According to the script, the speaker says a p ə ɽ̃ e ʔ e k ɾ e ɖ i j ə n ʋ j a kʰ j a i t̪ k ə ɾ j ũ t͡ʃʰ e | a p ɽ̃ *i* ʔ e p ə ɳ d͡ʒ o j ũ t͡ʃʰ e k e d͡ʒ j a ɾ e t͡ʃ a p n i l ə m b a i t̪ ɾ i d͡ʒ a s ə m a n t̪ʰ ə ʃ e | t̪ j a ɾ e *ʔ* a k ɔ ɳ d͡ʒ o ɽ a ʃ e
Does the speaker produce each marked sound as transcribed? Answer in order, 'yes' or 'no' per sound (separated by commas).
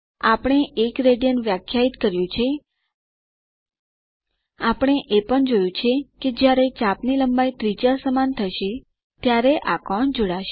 no, yes